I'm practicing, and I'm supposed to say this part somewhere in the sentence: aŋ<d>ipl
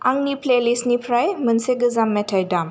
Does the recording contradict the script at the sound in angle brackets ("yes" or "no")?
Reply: yes